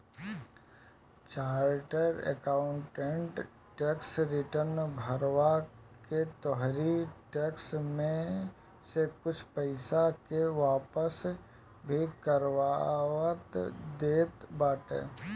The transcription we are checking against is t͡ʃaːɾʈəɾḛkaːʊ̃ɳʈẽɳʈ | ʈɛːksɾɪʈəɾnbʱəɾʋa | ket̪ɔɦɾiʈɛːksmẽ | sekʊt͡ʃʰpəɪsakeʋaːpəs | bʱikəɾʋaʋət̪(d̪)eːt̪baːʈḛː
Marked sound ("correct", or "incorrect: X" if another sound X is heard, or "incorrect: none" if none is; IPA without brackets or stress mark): correct